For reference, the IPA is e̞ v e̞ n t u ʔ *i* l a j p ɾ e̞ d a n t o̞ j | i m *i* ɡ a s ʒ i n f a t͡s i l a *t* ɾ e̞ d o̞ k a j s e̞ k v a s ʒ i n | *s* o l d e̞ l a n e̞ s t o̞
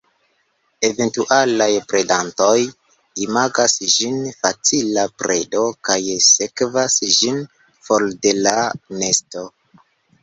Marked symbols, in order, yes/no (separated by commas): no, no, no, no